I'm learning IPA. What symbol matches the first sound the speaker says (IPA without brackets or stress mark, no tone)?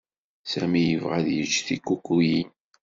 s